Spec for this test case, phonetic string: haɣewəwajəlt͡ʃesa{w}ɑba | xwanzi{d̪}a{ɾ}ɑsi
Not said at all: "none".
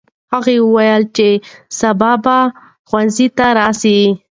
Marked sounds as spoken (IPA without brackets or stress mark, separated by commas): b, t̪, ɾ